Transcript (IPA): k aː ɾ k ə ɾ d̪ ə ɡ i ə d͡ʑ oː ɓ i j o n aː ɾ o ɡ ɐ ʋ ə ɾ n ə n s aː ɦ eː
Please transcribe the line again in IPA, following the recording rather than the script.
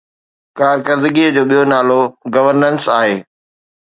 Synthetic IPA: k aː ɾ k ə ɾ d̪ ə ɡ i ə d͡ʑ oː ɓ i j o n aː l o ɡ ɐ ʋ ə ɾ n ə n s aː ɦ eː

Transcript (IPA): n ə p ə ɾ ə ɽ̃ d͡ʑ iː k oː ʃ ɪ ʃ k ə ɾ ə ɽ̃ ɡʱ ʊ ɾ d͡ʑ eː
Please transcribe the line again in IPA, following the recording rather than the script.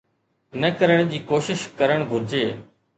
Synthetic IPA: n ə k ə ɾ ə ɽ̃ d͡ʑ iː k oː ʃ ɪ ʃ k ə ɾ ə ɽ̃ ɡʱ ʊ ɾ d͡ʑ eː

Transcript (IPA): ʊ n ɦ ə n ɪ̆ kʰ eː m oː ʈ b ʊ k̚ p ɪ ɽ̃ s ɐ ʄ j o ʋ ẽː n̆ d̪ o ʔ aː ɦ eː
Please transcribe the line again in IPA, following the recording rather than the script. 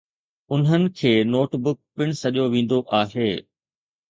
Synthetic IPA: ʊ n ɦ ə n ɪ̆ kʰ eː n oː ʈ b ʊ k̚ p ɪ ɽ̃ s ɐ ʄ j o ʋ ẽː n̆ d̪ o ʔ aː ɦ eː

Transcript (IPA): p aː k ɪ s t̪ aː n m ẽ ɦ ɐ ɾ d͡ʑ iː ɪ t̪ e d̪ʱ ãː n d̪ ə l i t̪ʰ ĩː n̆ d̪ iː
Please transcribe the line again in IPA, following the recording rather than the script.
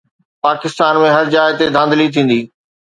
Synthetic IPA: p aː k ɪ s t̪ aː n m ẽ ɦ ɐ ɾ d͡ʑ aː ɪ t̪ e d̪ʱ ãː n d̪ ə l i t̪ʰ ĩː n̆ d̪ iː

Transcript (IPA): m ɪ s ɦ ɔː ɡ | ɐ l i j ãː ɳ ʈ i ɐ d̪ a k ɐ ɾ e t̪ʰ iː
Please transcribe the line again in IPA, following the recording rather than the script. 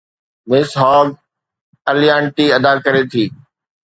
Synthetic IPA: m ɪ s ɦ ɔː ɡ | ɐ l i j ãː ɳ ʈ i ɐ d̪ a k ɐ ɾ e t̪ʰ iː

